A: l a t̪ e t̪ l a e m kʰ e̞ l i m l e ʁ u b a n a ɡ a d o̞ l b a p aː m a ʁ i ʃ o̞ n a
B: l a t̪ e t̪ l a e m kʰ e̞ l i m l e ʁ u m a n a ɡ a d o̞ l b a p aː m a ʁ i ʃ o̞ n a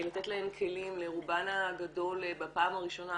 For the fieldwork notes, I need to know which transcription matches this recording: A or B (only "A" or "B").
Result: A